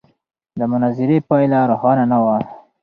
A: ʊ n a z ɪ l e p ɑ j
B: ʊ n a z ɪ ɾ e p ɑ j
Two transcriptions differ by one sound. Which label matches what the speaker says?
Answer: B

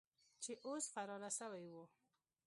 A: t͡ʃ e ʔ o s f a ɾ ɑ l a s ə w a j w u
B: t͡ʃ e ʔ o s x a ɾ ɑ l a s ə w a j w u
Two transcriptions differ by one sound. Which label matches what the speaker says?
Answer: A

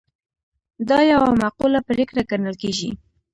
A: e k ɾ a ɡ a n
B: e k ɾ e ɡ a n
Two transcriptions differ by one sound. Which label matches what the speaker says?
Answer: A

